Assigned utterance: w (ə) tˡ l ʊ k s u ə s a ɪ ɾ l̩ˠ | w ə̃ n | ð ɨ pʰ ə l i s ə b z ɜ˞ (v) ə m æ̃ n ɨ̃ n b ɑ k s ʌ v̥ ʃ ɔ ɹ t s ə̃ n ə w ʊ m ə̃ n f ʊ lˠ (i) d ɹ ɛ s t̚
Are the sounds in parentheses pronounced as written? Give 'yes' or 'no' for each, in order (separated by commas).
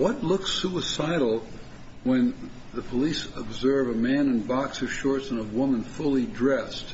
no, yes, yes